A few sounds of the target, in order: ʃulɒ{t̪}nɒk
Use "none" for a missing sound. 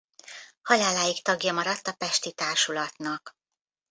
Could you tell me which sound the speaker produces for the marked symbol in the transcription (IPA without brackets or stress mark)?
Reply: t̪